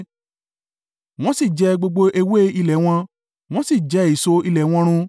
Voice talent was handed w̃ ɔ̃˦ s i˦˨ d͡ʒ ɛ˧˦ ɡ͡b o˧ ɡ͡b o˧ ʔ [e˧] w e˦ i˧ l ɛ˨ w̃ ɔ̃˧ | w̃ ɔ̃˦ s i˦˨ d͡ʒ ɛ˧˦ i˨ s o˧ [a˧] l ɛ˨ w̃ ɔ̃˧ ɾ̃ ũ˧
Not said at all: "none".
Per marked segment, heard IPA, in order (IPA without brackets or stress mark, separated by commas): e˧, i˧